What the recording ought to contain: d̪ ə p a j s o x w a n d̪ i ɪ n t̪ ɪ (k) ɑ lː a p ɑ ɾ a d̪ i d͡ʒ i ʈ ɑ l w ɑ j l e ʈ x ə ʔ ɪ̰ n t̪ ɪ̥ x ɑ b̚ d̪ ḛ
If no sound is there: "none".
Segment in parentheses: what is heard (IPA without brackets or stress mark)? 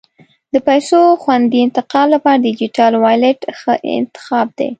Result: q